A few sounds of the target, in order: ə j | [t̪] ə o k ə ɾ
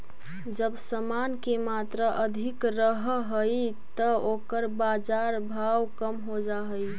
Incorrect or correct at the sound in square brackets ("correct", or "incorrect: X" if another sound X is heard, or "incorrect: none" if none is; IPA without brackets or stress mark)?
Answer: correct